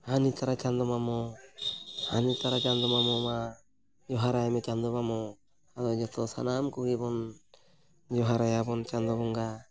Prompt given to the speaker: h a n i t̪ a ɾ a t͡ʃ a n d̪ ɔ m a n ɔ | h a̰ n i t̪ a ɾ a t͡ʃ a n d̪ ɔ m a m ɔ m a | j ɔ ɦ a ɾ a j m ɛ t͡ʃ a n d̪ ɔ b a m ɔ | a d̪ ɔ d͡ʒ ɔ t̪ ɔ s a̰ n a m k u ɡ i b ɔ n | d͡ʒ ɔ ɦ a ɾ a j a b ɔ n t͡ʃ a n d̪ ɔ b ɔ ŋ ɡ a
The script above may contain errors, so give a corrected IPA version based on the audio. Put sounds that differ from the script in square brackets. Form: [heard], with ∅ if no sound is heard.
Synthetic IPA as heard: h a n i t̪ a ɾ a t͡ʃ a n d̪ ɔ m a [m] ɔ | h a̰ n i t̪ a ɾ a t͡ʃ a n d̪ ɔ m a m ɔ m a | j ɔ ɦ a ɾ a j m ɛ t͡ʃ a n d̪ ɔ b a m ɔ | a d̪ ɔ d͡ʒ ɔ t̪ ɔ s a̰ n a m k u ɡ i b ɔ n | d͡ʒ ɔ ɦ a ɾ a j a b ɔ n t͡ʃ a n d̪ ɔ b ɔ ŋ ɡ a